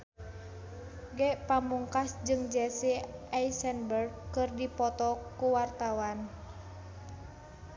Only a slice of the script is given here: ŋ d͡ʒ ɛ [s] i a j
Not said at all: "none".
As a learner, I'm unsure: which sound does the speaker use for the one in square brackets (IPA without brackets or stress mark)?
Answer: s